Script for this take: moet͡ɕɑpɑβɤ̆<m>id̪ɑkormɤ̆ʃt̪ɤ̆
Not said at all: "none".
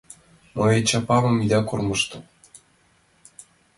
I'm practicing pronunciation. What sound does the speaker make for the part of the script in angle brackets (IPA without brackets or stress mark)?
m